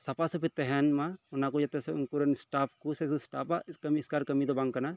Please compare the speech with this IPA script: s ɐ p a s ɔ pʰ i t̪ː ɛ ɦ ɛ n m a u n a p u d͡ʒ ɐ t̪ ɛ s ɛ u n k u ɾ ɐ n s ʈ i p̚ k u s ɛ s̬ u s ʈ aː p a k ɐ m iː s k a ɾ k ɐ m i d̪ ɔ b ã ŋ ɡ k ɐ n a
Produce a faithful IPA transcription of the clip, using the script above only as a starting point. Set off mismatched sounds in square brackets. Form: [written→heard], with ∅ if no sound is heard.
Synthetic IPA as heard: s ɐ p a s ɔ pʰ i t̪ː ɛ ɦ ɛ n m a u n a [p→k] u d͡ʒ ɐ t̪ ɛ s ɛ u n k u ɾ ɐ n s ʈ [i→a] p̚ k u s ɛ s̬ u s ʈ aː p a k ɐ m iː s k a ɾ k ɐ m i d̪ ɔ b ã ŋ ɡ k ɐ n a